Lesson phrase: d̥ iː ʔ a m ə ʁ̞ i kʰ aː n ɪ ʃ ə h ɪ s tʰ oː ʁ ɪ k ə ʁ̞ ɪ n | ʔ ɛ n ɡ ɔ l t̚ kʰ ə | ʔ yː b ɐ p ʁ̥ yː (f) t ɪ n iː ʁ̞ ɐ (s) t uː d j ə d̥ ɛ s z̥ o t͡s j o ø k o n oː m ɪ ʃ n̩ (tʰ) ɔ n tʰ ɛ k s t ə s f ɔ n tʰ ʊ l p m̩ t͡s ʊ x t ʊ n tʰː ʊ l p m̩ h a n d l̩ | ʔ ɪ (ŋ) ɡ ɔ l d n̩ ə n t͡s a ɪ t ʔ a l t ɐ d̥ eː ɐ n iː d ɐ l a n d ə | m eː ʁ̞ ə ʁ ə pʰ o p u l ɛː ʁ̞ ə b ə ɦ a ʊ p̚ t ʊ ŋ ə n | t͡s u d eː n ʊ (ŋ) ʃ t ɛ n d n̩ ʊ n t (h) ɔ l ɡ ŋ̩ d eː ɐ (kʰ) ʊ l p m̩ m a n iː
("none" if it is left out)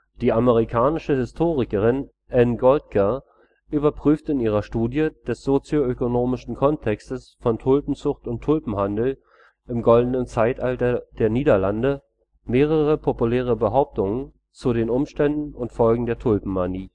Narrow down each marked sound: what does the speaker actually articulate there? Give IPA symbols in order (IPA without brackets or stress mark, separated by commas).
f, ʃ, kʰ, m, m, f, tʰ